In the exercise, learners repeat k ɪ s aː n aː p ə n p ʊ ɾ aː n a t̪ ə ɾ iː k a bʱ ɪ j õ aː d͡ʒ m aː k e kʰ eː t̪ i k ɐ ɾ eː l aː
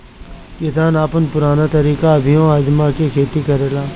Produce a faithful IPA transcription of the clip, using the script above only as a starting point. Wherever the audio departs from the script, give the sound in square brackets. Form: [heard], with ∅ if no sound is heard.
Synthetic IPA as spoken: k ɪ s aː n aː p ə n p ʊ ɾ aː n a t̪ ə ɾ iː k a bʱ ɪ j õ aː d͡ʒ m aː k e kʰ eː t̪ i k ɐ ɾ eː l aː